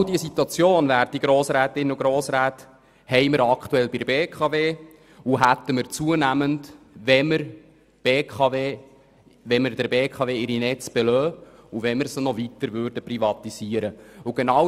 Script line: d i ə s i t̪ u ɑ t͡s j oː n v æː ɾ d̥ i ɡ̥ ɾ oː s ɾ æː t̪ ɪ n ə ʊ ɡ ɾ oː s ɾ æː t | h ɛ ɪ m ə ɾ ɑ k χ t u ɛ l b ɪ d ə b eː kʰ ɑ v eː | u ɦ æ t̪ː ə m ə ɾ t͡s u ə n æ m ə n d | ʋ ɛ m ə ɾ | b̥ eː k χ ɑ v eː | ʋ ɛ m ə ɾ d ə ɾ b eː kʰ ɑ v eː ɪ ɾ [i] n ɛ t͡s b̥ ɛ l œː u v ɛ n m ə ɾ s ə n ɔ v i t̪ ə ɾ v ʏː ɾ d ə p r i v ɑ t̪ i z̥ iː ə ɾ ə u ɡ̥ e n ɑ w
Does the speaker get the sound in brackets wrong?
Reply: no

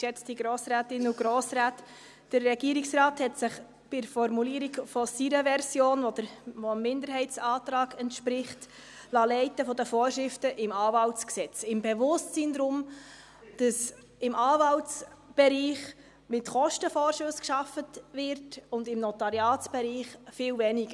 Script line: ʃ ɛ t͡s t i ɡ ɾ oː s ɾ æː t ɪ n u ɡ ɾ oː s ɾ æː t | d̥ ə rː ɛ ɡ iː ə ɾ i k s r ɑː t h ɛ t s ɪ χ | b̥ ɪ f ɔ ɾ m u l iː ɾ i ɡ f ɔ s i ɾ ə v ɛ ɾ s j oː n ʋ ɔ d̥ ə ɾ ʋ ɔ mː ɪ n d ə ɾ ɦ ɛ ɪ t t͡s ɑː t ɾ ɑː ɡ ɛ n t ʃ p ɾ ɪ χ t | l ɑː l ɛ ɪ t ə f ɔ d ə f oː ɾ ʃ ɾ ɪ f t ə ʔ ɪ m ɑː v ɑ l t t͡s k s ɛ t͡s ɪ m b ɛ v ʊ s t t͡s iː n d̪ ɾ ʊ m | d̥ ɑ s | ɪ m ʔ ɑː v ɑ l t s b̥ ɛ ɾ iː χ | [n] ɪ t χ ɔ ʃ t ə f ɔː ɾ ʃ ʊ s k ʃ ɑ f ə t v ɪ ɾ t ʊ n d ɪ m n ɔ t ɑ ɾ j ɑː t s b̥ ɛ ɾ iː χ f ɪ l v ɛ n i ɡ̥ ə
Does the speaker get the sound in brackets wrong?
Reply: yes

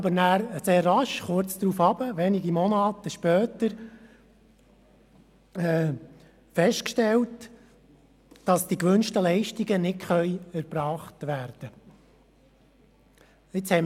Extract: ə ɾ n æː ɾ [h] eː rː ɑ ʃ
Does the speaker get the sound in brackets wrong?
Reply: yes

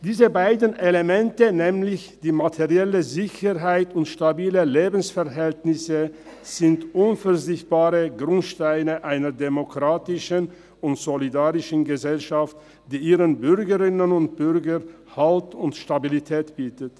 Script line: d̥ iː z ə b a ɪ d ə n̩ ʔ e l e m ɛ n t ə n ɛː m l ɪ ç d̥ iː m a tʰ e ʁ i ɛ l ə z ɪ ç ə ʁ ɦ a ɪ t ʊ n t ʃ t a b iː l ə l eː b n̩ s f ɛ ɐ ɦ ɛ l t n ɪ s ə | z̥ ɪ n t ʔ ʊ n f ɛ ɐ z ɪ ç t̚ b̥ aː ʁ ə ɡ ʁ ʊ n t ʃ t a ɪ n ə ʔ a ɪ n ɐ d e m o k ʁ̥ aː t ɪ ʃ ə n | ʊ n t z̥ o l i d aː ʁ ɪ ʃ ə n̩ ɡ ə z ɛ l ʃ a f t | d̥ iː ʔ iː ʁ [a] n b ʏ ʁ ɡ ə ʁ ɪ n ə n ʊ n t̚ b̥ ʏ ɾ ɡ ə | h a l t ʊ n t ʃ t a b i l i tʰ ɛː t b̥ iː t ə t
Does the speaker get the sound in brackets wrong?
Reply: yes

